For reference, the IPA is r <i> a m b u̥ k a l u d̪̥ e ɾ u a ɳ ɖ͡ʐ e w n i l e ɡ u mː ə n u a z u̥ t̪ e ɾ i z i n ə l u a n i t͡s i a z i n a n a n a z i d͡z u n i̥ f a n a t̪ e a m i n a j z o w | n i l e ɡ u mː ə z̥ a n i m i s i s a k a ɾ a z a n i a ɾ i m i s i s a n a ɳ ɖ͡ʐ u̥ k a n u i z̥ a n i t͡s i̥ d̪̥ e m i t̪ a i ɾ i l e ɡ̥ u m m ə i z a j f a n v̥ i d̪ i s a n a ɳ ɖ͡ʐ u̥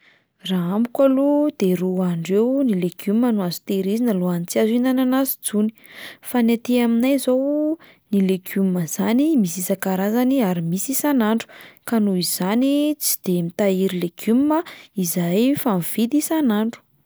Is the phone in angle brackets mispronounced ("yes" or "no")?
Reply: yes